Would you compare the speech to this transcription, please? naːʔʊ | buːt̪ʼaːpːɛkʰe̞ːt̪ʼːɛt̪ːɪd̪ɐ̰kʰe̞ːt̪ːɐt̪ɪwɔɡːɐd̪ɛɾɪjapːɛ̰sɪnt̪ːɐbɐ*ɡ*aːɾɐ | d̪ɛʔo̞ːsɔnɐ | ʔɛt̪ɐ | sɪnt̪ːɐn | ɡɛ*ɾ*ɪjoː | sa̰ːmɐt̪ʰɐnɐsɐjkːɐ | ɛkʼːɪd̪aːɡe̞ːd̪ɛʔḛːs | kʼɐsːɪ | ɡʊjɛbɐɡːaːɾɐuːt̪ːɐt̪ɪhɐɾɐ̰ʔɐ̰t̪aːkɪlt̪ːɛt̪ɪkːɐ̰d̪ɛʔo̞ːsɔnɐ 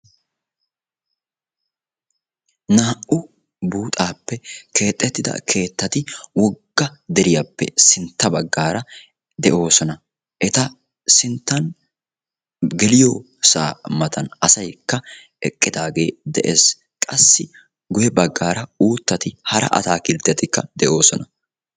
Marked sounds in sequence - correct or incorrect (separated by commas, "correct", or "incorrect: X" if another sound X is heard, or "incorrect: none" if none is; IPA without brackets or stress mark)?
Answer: incorrect: ɡː, incorrect: l